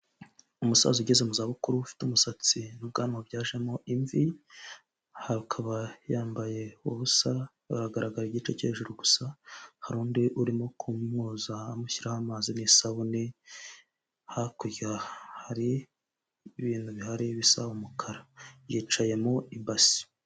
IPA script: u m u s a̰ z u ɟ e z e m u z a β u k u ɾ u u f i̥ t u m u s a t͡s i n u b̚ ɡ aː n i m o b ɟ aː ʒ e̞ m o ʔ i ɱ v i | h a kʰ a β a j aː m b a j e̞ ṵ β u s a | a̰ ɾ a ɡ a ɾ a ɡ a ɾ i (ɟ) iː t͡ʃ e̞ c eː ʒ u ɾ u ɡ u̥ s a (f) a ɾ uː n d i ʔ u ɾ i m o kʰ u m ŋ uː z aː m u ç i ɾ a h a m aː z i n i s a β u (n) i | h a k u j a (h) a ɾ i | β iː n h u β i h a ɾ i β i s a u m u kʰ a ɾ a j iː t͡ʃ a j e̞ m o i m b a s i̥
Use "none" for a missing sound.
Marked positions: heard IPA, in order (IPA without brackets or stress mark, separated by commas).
ɟ, h, n, h